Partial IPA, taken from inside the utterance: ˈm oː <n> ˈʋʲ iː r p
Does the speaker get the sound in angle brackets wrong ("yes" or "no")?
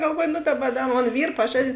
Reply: no